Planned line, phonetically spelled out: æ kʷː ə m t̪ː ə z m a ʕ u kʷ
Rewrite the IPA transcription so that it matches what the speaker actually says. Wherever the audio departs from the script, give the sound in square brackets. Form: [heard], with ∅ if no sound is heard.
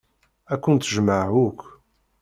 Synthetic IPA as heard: æ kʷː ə [n] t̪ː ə [ʒ] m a ʕ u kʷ